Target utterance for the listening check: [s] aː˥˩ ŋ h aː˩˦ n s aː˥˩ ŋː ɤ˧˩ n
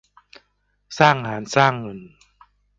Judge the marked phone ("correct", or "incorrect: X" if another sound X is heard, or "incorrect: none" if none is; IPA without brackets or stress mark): correct